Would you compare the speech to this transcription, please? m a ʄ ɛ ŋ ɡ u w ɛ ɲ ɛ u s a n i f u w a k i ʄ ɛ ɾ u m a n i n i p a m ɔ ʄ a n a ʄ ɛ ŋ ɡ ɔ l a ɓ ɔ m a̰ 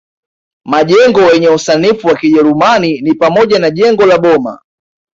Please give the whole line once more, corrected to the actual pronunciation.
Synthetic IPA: m a ʄ ɛ ŋ ɡ ɔ w ɛ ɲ ɛ u s a n i f u w a k i ʄ ɛ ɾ u m a n i n i p a m ɔ ʄ a n a ʄ ɛ ŋ ɡ ɔ l a ɓ ɔ m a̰